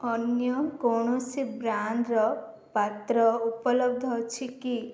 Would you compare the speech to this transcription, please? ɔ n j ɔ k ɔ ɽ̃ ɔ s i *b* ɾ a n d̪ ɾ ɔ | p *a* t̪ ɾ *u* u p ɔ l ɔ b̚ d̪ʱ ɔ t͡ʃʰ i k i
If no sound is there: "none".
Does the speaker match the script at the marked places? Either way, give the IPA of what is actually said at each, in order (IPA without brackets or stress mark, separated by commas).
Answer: b, a, ɔ